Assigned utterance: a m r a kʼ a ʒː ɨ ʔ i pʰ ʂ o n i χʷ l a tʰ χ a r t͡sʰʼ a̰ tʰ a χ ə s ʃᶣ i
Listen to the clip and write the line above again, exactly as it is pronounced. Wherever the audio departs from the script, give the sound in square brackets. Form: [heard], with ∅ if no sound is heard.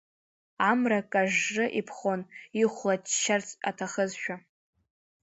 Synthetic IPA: a m r a kʼ a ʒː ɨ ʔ i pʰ [χ] o n i χʷ l a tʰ [ʃ] a r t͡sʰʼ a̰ tʰ a χ ə [z] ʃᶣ [a]